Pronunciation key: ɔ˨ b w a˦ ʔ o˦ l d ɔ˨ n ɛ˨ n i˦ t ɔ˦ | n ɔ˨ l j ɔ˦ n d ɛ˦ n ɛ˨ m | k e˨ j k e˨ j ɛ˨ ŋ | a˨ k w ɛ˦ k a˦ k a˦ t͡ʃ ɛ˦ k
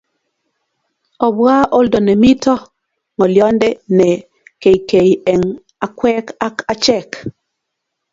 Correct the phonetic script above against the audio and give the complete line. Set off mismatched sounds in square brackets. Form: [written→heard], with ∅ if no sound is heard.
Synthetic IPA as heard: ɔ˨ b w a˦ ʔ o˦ l d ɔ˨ n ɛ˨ [n→m] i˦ t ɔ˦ | [n→ŋ] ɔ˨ l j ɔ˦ n d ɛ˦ n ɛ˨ [m→∅] | k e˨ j k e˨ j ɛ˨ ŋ | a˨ k w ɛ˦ k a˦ k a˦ t͡ʃ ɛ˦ k